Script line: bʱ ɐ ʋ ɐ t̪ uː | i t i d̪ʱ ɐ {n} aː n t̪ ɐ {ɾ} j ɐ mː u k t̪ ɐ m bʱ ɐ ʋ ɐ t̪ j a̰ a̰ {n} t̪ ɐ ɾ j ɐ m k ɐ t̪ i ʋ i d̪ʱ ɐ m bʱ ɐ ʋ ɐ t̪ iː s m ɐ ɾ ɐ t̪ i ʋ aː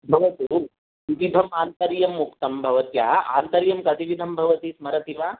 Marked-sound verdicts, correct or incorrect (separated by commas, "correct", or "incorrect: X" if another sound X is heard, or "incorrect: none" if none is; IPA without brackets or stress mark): incorrect: m, correct, correct